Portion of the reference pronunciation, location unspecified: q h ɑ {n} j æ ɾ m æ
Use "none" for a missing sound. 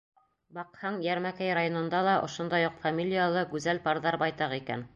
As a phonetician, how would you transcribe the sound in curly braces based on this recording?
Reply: ɴ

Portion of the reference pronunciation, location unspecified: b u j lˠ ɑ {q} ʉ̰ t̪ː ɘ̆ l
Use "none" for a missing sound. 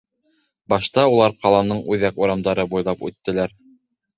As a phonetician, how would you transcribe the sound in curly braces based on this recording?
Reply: p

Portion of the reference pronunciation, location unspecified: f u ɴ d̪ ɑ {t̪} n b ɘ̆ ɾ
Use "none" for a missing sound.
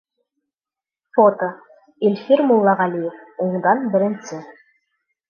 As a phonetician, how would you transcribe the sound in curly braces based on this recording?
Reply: none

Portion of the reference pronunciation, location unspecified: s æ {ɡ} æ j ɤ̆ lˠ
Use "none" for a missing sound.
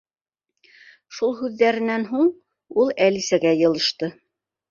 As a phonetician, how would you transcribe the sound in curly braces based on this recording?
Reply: ɡ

